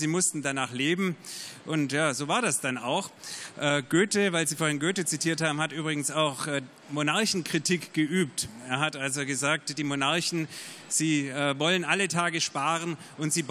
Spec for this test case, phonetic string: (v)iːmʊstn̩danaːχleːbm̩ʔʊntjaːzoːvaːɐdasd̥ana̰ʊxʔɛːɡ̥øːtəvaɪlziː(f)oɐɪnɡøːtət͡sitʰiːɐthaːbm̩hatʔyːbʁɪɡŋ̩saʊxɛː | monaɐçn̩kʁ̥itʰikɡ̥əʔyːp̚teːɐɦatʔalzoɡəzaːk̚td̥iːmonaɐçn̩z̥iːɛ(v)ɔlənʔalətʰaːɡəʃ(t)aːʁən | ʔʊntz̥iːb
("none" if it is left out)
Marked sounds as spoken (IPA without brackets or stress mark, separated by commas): z, f, v, p